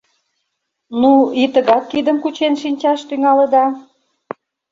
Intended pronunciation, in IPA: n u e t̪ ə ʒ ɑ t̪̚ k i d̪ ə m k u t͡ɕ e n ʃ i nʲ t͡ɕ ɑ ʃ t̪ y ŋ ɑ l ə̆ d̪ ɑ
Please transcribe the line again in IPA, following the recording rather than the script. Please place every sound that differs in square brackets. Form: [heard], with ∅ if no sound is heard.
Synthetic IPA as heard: n u [i] t̪ ə [ɣ] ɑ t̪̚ k i d̪ ə m k u t͡ɕ e n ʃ i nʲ t͡ɕ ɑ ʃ t̪ y ŋ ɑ l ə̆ d̪ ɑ